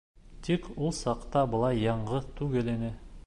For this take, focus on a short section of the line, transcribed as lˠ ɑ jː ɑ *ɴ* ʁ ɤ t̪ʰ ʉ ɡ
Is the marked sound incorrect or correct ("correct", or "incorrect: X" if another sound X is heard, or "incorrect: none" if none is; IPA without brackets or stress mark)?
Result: correct